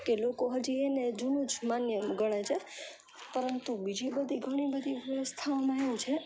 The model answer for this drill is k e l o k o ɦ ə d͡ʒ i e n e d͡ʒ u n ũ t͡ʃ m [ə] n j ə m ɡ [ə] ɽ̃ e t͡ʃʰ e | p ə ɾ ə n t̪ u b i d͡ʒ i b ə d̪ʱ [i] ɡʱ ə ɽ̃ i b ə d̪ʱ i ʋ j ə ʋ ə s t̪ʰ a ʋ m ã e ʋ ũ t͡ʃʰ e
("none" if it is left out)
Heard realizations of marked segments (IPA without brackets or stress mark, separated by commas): a, ə, i